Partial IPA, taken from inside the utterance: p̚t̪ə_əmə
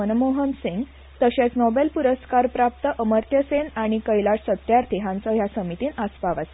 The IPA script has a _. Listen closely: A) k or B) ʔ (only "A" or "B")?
B